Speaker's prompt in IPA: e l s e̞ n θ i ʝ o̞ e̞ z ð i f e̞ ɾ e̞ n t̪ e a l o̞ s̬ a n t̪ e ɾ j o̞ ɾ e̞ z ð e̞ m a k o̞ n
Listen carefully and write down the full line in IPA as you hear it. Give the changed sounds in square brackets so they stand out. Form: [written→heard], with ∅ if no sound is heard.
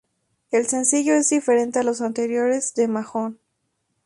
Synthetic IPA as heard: e l s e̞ n [θ→s] i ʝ o̞ e̞ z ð i f e̞ ɾ e̞ n t̪ e a l o̞ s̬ a n t̪ e ɾ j o̞ ɾ e̞ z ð e̞ m a [k→x] o̞ n